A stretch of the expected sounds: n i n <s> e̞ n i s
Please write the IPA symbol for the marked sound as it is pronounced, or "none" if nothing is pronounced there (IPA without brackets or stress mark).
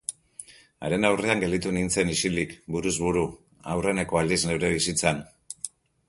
t͡s